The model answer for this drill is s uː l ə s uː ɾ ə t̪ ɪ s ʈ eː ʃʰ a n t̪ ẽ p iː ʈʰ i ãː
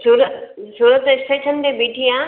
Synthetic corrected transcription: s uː ɾ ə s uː ɾ ə t̪ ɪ s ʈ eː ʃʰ ə n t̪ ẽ b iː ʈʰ i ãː